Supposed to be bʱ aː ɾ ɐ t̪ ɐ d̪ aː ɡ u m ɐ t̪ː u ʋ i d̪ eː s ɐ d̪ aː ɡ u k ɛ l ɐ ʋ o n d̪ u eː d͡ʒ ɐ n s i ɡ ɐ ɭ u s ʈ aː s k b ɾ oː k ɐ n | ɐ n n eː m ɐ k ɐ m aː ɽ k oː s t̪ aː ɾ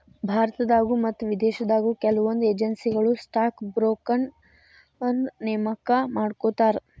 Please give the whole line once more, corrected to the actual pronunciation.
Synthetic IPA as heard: bʱ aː ɾ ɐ t̪ ɐ d̪ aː ɡ u m ɐ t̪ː u ʋ i d̪ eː ʃ ɐ d̪ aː ɡ u k ɛ l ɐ ʋ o n d̪ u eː d͡ʒ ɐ n s i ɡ ɐ ɭ u s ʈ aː k b ɾ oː k ɐ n | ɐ n n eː m ɐ k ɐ m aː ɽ k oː t̪ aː ɾ